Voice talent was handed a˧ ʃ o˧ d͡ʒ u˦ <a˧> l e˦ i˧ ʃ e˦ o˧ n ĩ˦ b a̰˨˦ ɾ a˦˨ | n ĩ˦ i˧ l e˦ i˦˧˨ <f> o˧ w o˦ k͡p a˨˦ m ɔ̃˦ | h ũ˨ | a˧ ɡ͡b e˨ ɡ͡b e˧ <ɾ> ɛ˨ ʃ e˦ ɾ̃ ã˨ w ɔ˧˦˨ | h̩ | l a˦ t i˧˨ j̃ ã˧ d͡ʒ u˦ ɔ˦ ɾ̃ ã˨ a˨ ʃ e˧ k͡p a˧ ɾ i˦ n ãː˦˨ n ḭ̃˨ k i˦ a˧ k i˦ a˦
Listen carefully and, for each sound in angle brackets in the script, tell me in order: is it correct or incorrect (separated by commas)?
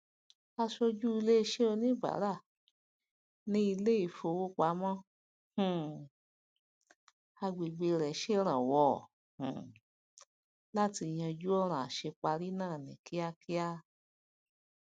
incorrect, correct, correct